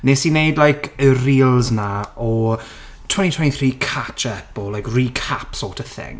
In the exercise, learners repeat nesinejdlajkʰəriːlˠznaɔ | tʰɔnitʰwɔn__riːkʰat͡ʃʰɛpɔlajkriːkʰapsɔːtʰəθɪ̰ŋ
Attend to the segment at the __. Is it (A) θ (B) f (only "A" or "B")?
A